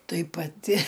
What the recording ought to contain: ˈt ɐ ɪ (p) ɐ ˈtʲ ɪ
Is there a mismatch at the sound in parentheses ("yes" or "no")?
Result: no